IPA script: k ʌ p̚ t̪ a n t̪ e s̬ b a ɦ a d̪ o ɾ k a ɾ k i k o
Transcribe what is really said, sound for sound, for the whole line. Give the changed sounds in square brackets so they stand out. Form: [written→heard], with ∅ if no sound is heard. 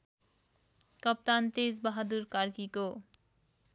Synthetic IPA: k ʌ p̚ t̪ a n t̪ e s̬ b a ɦ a d̪ [o→u] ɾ k a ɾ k i k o

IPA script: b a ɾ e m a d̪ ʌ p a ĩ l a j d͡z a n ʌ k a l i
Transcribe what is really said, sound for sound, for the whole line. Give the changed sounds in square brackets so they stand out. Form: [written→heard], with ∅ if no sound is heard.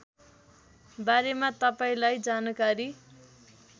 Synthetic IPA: b a ɾ e m a [d̪→t̪] ʌ p a ĩ l a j d͡z a n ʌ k a [l→ɾ] i

